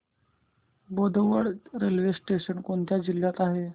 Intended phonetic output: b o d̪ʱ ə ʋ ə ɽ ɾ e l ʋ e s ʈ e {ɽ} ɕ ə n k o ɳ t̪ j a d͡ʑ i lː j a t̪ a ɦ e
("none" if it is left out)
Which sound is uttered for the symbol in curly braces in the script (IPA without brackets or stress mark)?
none